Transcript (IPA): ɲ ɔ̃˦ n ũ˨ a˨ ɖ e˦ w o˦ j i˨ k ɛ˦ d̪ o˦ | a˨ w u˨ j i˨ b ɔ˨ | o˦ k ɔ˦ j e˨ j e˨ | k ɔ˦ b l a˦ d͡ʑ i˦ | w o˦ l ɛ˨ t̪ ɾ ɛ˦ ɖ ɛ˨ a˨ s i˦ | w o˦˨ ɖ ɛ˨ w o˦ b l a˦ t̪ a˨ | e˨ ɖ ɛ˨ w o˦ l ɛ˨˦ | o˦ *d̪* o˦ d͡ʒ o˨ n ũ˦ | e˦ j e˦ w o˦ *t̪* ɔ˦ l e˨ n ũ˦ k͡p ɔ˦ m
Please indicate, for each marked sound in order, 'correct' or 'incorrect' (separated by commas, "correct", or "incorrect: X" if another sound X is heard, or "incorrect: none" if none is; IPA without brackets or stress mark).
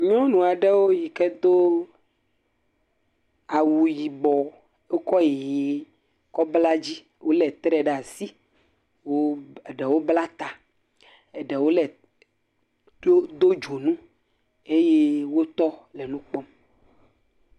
correct, correct